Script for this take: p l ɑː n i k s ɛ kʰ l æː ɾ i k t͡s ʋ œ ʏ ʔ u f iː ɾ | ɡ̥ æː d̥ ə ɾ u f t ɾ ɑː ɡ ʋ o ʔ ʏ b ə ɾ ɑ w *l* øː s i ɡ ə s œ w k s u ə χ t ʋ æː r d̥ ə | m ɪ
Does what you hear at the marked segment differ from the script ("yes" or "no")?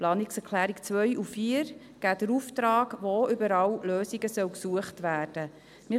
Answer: no